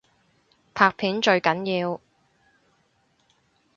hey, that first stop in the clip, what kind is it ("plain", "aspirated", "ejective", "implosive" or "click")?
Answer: aspirated